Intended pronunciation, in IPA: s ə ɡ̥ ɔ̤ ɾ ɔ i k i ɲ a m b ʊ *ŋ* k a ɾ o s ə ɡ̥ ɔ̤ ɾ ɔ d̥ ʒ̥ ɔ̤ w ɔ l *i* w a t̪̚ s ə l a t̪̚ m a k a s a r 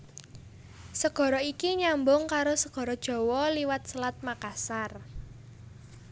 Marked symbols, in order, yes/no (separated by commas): yes, yes